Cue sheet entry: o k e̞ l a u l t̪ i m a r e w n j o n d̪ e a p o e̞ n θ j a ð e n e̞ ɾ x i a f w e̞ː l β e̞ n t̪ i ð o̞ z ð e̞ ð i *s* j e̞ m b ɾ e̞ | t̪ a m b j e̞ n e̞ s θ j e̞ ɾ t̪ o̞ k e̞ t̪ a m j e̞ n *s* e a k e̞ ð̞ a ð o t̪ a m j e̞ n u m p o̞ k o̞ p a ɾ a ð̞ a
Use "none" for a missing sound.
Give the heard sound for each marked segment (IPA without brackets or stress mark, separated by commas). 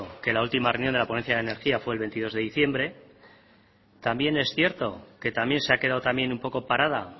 θ, s